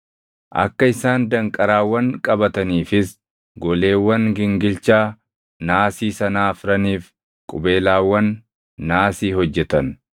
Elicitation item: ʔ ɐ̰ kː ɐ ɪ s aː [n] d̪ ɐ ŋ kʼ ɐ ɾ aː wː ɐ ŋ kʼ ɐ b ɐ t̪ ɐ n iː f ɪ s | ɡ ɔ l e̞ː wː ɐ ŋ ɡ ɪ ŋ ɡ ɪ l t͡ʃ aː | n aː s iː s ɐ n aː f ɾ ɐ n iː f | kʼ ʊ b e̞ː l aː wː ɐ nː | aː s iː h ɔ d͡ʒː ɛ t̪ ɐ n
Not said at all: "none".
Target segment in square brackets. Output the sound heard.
n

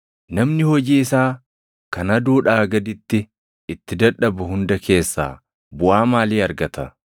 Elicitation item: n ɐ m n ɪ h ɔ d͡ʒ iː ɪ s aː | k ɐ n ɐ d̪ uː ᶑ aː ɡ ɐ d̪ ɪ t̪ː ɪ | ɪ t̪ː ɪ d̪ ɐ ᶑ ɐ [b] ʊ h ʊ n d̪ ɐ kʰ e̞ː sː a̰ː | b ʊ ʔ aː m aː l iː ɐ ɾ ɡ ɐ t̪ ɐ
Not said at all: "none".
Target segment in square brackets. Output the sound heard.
b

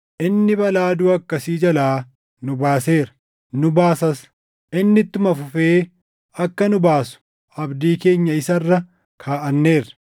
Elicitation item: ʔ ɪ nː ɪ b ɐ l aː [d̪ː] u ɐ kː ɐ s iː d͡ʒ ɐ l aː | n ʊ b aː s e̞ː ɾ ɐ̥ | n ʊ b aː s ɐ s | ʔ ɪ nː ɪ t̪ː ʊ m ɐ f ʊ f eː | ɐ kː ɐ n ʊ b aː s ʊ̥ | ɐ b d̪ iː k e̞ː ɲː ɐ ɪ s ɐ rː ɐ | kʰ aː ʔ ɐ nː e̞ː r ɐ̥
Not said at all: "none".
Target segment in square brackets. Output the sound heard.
d̪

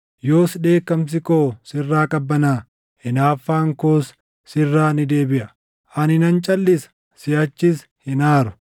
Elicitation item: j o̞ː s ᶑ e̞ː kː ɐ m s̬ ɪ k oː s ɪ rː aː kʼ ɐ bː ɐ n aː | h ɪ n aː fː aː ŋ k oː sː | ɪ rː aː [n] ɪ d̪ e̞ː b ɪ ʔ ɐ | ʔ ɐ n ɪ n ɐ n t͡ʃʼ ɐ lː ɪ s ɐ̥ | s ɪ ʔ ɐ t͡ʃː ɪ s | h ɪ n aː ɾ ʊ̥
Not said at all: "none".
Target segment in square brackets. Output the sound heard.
n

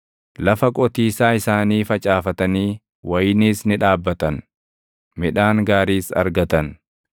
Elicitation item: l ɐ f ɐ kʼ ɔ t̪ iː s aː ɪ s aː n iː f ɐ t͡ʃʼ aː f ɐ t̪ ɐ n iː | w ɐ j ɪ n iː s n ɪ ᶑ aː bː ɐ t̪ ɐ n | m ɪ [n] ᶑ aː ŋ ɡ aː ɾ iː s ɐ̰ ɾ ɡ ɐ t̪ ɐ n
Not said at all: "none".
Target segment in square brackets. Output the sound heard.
none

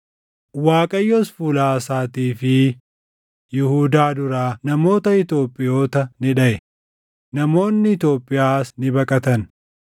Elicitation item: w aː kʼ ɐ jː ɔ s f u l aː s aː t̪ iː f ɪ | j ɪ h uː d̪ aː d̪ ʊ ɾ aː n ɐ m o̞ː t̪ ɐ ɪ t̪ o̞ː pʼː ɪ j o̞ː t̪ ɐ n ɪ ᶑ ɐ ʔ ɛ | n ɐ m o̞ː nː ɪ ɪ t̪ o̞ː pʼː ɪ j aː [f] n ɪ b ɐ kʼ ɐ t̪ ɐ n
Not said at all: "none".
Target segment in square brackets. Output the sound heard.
s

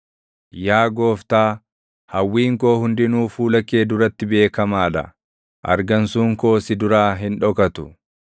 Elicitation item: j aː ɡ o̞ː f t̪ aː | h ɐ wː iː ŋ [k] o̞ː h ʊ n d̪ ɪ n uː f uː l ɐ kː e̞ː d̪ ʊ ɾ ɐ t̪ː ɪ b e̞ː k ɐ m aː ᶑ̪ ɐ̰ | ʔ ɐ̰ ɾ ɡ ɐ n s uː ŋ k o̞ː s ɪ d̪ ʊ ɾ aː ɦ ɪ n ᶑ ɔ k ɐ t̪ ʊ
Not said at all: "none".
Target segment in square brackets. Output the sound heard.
k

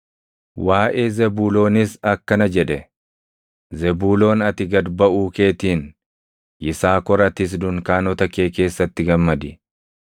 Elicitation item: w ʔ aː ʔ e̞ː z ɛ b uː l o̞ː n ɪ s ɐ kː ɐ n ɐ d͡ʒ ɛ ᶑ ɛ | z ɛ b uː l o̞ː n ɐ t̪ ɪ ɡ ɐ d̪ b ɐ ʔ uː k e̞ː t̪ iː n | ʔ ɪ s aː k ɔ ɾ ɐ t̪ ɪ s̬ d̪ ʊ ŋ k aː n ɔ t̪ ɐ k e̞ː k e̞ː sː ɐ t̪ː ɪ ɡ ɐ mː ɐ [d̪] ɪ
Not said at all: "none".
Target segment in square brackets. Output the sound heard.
d̪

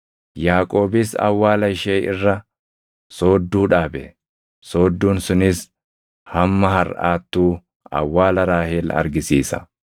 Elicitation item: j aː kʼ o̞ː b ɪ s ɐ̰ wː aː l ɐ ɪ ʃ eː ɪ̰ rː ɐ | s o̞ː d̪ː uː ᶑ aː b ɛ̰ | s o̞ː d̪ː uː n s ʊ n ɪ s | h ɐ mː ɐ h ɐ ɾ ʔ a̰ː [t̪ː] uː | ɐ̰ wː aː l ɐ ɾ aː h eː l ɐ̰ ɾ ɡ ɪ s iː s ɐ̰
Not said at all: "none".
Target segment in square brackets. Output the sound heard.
t̪ː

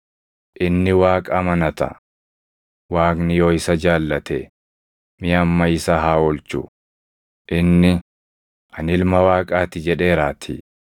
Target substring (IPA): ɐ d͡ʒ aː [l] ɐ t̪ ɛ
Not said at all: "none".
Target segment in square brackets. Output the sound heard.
lː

